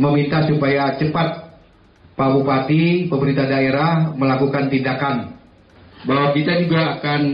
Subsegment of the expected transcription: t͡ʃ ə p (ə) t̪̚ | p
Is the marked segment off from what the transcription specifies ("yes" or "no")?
yes